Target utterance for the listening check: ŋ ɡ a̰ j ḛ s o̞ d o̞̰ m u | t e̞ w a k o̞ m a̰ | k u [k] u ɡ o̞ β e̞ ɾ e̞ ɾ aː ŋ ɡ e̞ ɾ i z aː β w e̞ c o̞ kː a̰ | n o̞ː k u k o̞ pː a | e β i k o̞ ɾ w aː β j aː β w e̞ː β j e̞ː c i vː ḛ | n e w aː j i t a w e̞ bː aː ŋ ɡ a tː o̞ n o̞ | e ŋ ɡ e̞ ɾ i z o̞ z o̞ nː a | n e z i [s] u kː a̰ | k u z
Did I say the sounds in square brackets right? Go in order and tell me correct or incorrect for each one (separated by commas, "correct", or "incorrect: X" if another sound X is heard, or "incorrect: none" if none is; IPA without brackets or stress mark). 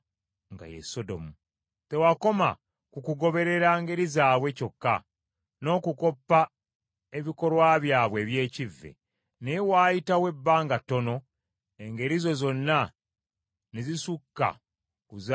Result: correct, correct